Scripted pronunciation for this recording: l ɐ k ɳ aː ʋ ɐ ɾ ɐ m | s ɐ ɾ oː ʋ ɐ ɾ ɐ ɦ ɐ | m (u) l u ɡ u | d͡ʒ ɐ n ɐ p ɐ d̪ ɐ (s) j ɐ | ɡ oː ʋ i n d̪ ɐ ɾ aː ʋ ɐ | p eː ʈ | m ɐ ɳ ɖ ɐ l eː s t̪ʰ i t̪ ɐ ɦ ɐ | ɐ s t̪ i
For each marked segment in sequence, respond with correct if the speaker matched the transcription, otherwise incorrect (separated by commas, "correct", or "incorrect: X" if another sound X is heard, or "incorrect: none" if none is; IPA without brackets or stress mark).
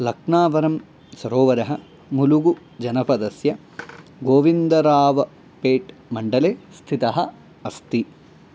correct, correct